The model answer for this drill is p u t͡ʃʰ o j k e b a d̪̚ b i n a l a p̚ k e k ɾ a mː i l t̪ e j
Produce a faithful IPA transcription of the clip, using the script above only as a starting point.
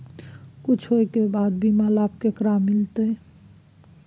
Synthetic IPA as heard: k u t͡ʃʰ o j k e b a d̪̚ b i m a l a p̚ k e k ɾ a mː i l t̪ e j